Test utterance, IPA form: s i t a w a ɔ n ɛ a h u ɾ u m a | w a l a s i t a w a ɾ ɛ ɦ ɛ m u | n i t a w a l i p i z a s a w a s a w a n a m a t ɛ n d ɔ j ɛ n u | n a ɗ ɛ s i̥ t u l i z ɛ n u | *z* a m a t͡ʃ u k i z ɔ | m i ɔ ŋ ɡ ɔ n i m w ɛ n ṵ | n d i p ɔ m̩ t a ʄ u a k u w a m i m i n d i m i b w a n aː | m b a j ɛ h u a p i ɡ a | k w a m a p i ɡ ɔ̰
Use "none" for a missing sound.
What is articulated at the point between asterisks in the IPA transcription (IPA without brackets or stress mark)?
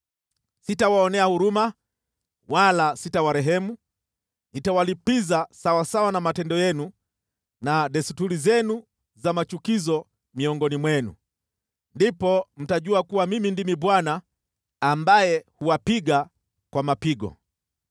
z